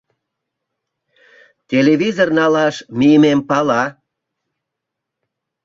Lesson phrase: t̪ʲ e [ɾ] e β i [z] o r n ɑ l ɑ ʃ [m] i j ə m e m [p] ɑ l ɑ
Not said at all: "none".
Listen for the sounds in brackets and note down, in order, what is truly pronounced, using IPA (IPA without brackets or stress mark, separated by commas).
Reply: l, z, m, p